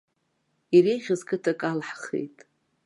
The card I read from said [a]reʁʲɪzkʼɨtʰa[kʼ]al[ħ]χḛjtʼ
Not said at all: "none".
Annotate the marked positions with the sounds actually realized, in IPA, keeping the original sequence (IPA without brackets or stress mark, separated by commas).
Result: i, kʼ, ħ